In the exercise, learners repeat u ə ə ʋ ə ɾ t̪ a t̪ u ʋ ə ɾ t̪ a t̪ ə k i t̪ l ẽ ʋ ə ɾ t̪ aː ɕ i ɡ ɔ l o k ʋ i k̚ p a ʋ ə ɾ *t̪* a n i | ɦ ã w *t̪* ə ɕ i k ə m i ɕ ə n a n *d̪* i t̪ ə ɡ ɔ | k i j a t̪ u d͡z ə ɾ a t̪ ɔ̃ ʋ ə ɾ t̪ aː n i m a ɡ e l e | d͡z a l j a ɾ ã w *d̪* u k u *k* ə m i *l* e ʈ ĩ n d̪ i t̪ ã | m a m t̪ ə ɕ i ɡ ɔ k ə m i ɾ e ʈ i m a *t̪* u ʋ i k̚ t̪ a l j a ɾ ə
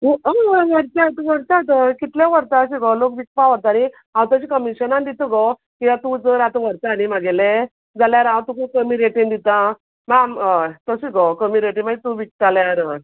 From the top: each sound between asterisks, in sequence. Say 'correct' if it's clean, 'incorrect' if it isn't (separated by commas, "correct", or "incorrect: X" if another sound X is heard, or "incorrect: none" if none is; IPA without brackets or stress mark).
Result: correct, correct, correct, incorrect: t̪, correct, incorrect: ɾ, correct